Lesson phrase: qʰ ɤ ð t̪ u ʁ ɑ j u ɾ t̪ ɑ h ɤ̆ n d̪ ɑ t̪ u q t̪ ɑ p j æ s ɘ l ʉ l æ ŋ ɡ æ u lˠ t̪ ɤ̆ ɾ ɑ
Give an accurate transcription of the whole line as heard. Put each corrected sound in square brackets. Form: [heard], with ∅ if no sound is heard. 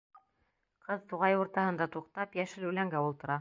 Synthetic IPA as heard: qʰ ɤ ð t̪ u ʁ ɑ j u ɾ t̪ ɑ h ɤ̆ n d̪ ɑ t̪ u q t̪ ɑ p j æ [ʃ] ɘ l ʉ l æ ŋ ɡ æ u lˠ t̪ ɤ̆ ɾ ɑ

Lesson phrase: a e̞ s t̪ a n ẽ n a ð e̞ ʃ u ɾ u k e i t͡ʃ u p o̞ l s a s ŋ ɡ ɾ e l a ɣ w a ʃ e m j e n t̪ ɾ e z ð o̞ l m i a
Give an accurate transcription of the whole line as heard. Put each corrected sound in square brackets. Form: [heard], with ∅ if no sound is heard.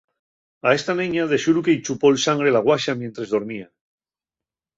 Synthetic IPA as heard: a e̞ s t̪ a n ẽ [ɲ] a ð e̞ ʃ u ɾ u k e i t͡ʃ u p o̞ l s a [∅] ŋ ɡ ɾ e l a ɣ w a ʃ [a] m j e n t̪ ɾ e z ð o̞ [ɾ] m i a

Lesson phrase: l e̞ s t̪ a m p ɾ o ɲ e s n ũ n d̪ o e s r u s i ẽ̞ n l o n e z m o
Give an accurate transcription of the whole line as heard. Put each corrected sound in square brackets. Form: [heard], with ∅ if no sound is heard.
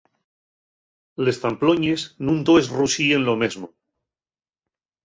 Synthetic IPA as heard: l e̞ s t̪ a m p [l] o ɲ e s n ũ n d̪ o e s r u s i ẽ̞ n l o [m] e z m o

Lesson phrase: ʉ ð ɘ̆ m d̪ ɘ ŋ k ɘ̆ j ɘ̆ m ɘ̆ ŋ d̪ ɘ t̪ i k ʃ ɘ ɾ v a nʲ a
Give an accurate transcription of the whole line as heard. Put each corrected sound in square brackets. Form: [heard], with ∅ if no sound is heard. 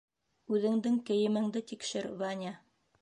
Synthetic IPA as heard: ʉ ð ɘ̆ [ŋ] d̪ ɘ ŋ k ɘ̆ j ɘ̆ m ɘ̆ ŋ d̪ ɘ t̪ i k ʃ ɘ ɾ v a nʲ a

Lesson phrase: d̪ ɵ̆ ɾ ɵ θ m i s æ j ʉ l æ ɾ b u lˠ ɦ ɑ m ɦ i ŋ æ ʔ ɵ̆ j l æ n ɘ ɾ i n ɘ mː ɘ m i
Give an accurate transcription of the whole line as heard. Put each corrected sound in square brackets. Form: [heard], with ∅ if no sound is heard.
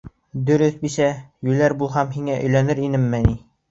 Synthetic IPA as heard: d̪ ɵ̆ ɾ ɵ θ [b] i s æ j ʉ l æ ɾ b u lˠ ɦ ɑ m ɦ i ŋ æ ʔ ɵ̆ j l æ n ɘ ɾ i n ɘ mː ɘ [n] i

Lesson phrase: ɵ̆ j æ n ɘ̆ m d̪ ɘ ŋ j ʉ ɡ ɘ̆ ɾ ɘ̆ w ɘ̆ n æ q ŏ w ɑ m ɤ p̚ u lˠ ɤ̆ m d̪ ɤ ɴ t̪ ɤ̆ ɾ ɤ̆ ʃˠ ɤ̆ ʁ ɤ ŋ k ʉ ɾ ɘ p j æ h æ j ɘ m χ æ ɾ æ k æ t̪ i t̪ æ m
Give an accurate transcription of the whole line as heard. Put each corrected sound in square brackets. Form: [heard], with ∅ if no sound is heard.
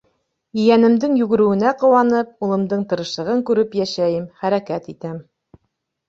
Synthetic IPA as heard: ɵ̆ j æ n ɘ̆ m d̪ ɘ ŋ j ʉ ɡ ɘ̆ ɾ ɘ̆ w ɘ̆ n æ q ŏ w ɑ [n] ɤ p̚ u lˠ ɤ̆ m d̪ ɤ ɴ t̪ ɤ̆ ɾ ɤ̆ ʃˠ ɤ̆ ʁ ɤ ŋ k ʉ ɾ ɘ p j æ [ʃ] æ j ɘ m χ æ ɾ æ k æ t̪ i t̪ æ m

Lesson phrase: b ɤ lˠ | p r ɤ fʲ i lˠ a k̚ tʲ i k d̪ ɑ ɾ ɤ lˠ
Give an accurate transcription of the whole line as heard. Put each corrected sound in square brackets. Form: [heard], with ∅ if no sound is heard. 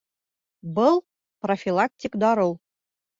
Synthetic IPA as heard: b ɤ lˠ | p r [o] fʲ i lˠ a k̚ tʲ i k d̪ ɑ ɾ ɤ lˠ

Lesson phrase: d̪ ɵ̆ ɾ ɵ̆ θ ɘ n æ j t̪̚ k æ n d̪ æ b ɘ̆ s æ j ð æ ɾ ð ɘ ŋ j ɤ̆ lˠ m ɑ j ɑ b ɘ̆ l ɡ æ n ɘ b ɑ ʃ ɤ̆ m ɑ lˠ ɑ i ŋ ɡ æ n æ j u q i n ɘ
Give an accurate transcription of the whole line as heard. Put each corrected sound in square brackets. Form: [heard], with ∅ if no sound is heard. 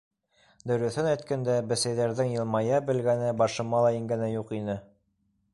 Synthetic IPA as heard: d̪ ɵ̆ ɾ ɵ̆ θ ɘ n æ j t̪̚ k æ n d̪ æ b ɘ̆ s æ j ð æ ɾ ð ɘ ŋ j ɤ̆ lˠ m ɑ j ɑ b ɘ̆ l ɡ æ n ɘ b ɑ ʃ ɤ̆ m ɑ lˠ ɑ i ŋ ɡ æ n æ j u q i n ɘ

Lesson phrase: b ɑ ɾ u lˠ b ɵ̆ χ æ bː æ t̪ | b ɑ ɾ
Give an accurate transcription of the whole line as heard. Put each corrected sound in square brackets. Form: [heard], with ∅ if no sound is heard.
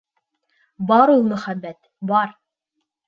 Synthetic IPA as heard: b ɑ ɾ u lˠ [m] ɵ̆ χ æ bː æ t̪ | b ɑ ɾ

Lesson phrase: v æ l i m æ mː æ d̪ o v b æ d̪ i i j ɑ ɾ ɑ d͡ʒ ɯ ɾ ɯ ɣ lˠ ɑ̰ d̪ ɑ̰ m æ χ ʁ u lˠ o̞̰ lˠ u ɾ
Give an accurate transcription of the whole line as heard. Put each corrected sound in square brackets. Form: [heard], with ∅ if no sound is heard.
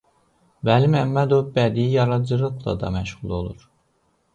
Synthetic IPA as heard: v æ l i m æ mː æ d̪ o v b æ d̪ i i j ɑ ɾ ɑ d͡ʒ ɯ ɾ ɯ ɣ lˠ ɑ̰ d̪ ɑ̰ m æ [ʃ] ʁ u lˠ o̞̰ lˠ u ɾ

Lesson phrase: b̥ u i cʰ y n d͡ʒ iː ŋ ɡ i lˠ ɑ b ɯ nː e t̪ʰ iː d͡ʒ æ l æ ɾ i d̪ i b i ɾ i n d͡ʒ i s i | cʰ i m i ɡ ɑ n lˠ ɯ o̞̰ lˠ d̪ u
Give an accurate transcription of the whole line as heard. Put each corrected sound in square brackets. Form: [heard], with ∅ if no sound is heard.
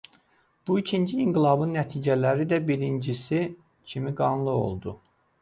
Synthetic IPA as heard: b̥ u i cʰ [i] n d͡ʒ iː ŋ ɡ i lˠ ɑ b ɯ nː [æ] t̪ʰ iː d͡ʒ æ l æ ɾ i d̪ [æ] b i ɾ i n d͡ʒ i s i | cʰ i m i ɡ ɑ n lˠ ɯ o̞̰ lˠ d̪ u

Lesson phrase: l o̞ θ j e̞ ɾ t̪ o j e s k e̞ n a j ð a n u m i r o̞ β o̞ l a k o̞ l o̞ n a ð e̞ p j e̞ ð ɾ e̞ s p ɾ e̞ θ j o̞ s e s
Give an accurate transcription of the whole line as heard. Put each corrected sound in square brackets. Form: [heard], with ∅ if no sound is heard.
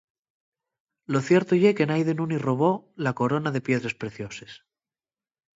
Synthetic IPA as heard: l o̞ θ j e̞ ɾ t̪ o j e [∅] k e̞ n a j ð [e] n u [n] i r o̞ β o̞ l a k o̞ [ɾ] o̞ n a ð e̞ p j e̞ ð ɾ e̞ s p ɾ e̞ θ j o̞ s e s

